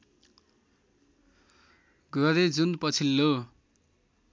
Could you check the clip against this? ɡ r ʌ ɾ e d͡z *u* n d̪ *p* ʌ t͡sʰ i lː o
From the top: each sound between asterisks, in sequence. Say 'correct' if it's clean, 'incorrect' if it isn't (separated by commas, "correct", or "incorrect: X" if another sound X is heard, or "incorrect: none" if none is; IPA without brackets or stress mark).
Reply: correct, correct